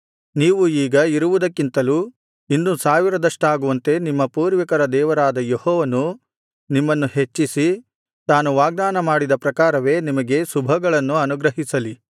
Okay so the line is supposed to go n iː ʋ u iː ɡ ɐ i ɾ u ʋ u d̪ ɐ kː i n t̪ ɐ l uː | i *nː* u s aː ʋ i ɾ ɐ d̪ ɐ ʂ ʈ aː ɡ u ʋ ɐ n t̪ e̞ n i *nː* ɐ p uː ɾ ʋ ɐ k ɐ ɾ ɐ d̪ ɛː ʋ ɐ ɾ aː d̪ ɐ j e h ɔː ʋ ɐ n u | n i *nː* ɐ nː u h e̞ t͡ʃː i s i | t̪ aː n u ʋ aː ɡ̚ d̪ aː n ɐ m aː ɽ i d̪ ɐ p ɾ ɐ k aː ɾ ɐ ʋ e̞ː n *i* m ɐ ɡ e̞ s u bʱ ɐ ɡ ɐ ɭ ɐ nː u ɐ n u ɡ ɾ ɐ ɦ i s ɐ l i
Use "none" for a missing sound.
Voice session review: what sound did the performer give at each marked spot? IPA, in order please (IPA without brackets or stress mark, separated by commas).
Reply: nː, mː, mː, i